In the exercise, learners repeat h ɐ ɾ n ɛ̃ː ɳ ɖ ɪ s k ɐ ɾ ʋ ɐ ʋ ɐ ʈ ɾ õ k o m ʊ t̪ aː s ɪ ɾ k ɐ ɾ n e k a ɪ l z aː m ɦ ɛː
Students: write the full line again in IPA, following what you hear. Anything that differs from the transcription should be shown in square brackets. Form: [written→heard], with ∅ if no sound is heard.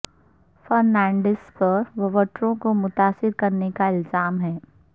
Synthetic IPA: [h→f] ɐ ɾ n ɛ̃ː ɳ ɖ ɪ s [k→p] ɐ ɾ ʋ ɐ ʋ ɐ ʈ ɾ õ k o m ʊ t̪ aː s ɪ ɾ k ɐ ɾ n e k a ɪ l z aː m ɦ ɛː